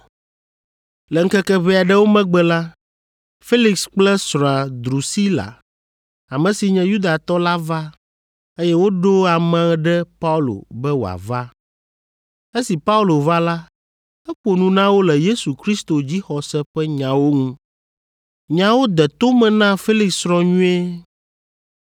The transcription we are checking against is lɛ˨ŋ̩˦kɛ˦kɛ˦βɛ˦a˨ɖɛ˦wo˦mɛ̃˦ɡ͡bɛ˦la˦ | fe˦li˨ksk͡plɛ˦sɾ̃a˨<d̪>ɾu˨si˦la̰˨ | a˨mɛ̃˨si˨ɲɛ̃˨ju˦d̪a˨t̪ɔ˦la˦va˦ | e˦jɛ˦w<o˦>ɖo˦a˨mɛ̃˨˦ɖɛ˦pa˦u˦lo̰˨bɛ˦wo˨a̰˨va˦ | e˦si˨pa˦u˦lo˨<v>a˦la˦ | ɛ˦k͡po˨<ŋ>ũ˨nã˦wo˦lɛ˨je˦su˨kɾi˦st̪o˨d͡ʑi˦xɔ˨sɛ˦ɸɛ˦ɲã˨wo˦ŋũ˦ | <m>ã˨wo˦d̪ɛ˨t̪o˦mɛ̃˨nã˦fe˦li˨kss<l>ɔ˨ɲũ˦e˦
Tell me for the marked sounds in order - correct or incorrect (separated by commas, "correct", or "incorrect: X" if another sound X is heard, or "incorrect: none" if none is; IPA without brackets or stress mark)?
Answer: correct, correct, correct, incorrect: n, incorrect: ɲ, incorrect: ɾ